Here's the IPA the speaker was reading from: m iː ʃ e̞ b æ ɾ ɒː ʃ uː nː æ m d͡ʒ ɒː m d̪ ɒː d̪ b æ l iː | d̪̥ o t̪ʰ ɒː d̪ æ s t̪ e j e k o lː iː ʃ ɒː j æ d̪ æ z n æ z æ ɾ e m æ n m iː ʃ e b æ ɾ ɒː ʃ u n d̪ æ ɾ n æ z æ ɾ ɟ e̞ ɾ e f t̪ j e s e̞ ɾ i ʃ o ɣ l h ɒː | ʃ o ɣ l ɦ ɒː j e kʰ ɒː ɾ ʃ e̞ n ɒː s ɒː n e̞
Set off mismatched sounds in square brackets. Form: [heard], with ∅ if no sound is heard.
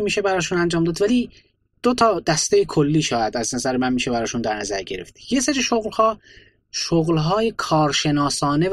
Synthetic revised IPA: m iː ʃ e̞ b æ ɾ ɒː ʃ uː [n] æ [n] d͡ʒ ɒː m d̪ ɒː d̪ [v] æ l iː | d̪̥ o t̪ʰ ɒː d̪ æ s t̪ e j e [kʰ] o lː iː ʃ ɒː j æ d̪ æ z n æ z æ ɾ e m æ n m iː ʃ e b æ ɾ ɒː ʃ u n d̪ æ ɾ n æ z æ ɾ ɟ e̞ ɾ e f t̪ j e s e̞ ɾ i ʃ o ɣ l h ɒː | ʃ o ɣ l ɦ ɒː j e kʰ ɒː ɾ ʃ e̞ n ɒː s ɒː n e̞